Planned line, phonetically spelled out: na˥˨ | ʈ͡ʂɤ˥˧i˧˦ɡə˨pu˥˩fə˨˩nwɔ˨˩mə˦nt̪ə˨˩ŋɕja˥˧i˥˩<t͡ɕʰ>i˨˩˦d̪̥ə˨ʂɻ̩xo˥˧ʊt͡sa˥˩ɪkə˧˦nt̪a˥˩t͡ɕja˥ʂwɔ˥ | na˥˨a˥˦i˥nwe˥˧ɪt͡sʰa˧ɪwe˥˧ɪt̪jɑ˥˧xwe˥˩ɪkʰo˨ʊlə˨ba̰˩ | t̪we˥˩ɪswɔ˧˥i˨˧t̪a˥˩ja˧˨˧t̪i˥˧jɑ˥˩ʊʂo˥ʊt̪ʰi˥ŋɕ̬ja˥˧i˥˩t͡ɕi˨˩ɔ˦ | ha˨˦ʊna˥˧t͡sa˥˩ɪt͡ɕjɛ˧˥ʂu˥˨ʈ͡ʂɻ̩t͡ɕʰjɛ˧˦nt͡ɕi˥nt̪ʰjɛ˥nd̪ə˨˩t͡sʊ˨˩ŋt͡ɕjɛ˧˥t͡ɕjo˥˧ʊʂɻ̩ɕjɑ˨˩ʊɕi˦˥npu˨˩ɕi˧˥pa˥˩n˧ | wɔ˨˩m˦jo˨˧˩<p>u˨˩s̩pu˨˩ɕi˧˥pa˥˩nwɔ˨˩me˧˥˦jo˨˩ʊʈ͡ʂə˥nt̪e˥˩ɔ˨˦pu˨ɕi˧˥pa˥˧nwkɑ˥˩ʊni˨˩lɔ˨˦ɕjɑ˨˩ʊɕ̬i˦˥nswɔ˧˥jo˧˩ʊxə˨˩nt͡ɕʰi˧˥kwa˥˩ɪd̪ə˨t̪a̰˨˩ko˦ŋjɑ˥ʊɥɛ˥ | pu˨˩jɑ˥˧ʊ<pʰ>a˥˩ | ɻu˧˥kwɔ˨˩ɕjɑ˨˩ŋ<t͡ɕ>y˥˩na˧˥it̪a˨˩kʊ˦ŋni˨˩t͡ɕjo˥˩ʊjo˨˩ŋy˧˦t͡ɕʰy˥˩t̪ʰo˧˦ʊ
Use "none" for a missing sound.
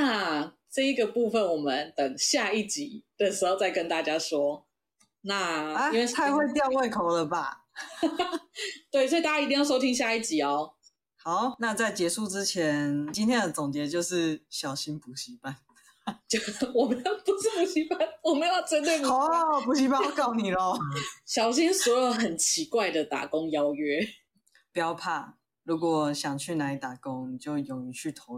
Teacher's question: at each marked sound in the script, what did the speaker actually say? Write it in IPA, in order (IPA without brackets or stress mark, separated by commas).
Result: t͡ɕ, p, pʰ, t͡ɕʰ